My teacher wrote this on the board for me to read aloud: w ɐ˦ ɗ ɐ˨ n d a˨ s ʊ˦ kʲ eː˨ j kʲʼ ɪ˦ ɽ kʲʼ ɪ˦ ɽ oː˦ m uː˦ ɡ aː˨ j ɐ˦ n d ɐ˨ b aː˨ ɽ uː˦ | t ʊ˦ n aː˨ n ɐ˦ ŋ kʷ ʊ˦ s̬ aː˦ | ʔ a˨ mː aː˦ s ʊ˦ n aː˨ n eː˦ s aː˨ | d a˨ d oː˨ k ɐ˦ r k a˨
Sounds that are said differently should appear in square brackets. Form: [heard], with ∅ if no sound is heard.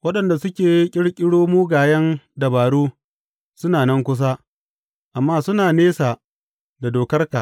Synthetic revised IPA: w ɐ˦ ɗ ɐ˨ n d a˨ s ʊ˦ kʲ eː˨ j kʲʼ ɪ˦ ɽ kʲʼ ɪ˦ ɽ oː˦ m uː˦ ɡ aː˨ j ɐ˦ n d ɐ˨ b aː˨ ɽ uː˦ | [s] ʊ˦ n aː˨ n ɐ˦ ŋ kʷ ʊ˦ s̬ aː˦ | ʔ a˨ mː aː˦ s ʊ˦ n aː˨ n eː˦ s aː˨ | d a˨ d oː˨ k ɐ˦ r k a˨

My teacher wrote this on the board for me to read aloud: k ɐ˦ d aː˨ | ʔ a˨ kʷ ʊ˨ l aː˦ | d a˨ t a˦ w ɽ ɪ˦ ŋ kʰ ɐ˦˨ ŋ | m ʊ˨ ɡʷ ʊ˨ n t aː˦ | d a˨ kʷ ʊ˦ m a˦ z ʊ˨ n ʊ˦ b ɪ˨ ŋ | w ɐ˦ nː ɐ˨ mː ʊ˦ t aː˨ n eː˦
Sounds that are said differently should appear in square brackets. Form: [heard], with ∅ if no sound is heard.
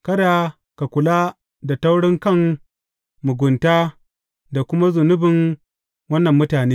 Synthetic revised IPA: k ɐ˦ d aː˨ | [k] a˨ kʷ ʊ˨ l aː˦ | d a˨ t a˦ w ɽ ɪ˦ ŋ [k] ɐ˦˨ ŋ | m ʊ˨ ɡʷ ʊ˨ n t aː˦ | d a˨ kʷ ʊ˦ m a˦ z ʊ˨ n ʊ˦ b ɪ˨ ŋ | w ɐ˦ nː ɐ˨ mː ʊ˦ t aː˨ n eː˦

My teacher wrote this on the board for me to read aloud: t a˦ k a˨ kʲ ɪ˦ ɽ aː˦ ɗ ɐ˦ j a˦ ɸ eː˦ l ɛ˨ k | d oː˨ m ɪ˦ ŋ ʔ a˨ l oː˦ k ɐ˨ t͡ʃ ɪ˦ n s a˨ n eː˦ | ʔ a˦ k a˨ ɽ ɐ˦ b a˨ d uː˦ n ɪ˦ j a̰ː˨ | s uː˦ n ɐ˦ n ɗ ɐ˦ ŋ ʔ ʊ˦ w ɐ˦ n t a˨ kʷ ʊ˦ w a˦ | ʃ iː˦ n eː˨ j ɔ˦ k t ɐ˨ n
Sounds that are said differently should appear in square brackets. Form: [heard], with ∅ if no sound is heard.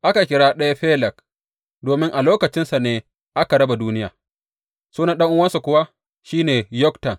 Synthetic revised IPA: [ʔ] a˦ k a˨ kʲ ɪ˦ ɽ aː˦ ɗ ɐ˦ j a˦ ɸ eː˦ l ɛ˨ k | d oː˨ m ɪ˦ ŋ ʔ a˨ l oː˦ k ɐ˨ t͡ʃ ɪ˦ n s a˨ n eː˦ | ʔ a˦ k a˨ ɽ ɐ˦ b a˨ d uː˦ n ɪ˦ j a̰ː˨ | s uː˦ n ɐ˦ n ɗ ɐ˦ ŋ ʔ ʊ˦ w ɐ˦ n [s] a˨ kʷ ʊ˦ w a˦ | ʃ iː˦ n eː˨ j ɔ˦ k t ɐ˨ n

